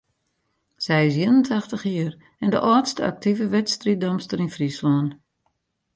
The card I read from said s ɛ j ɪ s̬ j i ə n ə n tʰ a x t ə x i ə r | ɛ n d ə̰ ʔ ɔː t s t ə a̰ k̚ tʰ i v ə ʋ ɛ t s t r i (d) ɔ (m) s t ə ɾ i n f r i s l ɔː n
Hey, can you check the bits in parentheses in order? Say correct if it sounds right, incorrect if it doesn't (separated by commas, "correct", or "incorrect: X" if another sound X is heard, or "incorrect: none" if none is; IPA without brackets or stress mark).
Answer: correct, correct